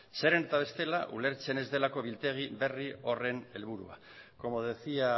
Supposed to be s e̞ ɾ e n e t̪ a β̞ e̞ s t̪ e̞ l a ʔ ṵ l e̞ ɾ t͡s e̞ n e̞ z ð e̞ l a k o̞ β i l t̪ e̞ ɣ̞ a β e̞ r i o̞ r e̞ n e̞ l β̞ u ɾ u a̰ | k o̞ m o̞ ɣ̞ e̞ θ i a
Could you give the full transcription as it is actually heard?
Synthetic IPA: s e̞ ɾ e n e t̪ a β̞ e̞ s t̪ e̞ l a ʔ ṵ l e̞ ɾ t͡s e̞ n e̞ z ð e̞ l a k o̞ β i l t̪ e̞ ɣ̞ i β e̞ r i o̞ r e̞ n e̞ l β̞ u ɾ u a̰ | k o̞ m o̞ ð̞ e̞ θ i a